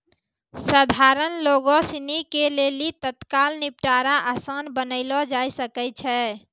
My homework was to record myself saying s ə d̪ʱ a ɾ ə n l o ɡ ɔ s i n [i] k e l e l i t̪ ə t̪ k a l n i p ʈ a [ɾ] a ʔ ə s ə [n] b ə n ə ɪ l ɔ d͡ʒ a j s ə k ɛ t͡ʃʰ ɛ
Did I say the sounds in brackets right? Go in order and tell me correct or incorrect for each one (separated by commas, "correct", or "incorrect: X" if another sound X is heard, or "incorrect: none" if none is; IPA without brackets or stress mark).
correct, correct, correct